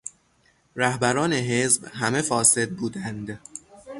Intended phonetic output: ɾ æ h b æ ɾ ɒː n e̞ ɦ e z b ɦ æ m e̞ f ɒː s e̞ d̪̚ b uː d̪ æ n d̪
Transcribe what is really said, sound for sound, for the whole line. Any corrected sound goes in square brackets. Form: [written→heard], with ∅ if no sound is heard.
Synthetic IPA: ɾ æ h b æ ɾ ɒː n e̞ ɦ e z b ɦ æ m e̞ f ɒː s e̞ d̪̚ b uː d̪ æ n d̪